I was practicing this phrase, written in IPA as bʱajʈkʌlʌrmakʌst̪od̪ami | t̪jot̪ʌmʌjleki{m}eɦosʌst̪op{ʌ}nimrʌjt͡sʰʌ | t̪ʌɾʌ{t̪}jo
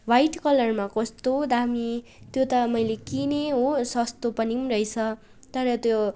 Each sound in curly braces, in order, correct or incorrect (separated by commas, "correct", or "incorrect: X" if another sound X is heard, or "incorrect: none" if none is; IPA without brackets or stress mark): incorrect: n, correct, correct